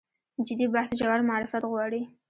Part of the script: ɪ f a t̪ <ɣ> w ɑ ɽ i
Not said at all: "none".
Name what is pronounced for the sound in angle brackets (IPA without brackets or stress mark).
ɣ